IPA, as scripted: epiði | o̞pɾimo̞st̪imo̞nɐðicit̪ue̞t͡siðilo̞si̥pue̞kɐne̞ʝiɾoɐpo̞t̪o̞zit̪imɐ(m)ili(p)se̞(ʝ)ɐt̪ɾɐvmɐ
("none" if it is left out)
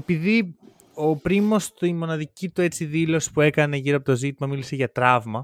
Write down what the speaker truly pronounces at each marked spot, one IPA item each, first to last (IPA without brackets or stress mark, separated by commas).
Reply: m, none, ʝ